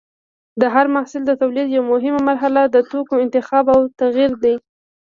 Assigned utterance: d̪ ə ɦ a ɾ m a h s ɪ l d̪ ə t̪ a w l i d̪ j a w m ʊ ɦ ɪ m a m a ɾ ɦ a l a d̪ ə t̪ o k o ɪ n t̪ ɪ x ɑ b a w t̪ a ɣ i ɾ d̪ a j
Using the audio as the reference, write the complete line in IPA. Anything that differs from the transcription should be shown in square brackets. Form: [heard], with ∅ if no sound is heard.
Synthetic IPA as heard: d̪ ə ɦ a ɾ m a h s ɪ l d̪ ə t̪ a w l i d̪ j a w m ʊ ɦ ɪ m a m a ɾ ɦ a l a d̪ ə t̪ o k o ɪ n t̪ ɪ x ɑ b a w t̪ a ɣ i ɾ d̪ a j